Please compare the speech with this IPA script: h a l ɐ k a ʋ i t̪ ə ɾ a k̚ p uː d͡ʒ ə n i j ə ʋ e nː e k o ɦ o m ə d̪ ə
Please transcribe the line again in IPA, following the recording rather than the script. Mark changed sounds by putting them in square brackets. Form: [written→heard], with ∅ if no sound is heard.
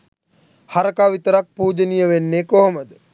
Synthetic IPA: h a [l→ɾ] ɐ k a ʋ i t̪ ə ɾ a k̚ p uː d͡ʒ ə n i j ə ʋ e nː e k o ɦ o m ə d̪ ə